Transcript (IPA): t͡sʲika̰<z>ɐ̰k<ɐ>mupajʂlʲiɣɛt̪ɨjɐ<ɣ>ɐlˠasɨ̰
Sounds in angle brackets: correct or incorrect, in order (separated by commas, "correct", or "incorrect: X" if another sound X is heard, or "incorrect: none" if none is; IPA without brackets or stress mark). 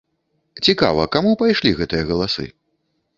incorrect: v, incorrect: a, correct